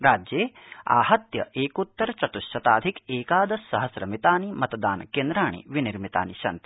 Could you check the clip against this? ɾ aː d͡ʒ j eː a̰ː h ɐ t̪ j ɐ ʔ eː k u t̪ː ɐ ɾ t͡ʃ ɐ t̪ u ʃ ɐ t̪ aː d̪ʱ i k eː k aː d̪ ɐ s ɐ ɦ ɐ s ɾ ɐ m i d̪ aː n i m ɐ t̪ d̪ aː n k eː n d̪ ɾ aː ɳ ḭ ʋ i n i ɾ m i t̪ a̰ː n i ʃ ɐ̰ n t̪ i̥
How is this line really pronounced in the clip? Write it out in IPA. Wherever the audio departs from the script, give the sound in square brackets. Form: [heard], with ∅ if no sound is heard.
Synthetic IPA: ɾ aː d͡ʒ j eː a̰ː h ɐ t̪ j ɐ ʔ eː k u t̪ː ɐ ɾ t͡ʃ ɐ t̪ u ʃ ɐ t̪ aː d̪ʱ i k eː k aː d̪ ɐ s ɐ ɦ ɐ s ɾ ɐ m i [t̪] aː n i m ɐ t̪ d̪ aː n k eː n d̪ ɾ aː ɳ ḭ ʋ i n i ɾ m i t̪ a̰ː n i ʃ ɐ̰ n t̪ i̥